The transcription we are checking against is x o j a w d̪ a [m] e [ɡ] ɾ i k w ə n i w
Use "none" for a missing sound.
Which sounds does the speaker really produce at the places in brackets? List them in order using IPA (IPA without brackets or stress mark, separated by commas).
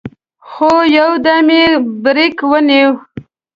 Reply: m, b